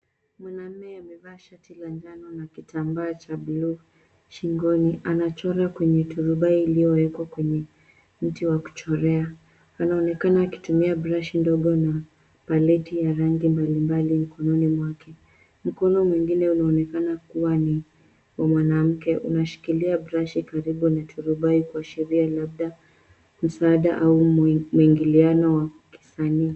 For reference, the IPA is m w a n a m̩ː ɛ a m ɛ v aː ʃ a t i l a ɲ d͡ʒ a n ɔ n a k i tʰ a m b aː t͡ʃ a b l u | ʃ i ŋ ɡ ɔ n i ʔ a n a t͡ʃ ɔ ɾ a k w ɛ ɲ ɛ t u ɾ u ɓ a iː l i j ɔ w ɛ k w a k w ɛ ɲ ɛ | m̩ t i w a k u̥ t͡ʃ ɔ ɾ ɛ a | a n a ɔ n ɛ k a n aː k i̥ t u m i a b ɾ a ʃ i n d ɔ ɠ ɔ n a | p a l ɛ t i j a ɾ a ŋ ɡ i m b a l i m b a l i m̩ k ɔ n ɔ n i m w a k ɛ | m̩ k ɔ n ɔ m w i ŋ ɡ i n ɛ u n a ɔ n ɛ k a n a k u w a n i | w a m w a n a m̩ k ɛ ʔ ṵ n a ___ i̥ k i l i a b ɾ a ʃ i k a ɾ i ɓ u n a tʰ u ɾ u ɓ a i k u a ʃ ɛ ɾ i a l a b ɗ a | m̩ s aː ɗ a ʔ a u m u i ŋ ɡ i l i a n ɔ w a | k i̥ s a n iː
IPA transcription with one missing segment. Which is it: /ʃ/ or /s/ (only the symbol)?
ʃ